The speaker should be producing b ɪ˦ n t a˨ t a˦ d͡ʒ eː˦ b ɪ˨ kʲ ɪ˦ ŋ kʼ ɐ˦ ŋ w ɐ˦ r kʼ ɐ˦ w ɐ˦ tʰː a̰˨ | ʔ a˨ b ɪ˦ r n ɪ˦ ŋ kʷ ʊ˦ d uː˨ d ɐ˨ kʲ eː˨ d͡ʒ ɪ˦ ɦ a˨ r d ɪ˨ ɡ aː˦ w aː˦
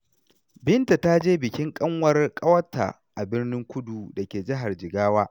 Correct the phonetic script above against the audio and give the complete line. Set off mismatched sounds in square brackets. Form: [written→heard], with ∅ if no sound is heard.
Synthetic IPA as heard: b ɪ˦ n t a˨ t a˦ d͡ʒ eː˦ b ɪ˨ kʲ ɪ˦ ŋ kʼ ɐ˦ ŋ w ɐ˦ r kʼ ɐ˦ w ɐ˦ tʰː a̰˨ | ʔ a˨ b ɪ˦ r n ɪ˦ ŋ kʷ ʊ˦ d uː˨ d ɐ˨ kʲ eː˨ d͡ʒ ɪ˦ ɦ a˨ r [d→d͡ʒ] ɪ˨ ɡ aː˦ w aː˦